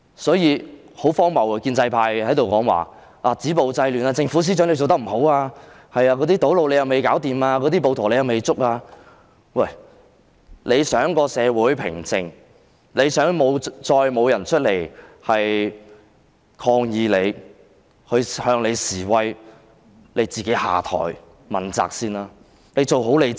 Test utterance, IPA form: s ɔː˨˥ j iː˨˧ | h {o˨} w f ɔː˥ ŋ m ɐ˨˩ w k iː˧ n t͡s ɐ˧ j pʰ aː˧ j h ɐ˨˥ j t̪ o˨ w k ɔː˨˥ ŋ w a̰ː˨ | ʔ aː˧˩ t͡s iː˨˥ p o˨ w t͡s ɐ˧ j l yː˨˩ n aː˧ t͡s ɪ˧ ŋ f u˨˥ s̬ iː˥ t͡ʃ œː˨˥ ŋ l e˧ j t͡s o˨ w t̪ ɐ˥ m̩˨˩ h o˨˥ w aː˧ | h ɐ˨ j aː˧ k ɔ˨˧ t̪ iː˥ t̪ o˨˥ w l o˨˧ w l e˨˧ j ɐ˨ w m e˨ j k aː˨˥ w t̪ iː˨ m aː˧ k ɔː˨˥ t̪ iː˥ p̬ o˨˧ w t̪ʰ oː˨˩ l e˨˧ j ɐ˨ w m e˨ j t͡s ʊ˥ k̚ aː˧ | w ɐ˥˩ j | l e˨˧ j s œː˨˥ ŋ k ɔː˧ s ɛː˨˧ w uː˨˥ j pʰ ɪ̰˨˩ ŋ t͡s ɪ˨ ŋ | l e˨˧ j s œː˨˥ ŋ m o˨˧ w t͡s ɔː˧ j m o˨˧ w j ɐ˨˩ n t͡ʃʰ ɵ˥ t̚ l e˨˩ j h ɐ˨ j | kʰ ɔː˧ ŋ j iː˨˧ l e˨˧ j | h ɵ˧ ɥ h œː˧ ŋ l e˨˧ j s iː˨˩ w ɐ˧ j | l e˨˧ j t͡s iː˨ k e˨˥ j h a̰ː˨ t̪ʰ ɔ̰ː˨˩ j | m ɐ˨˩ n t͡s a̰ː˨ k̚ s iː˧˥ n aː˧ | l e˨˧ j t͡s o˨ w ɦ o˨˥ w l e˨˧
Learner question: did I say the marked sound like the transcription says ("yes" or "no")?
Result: no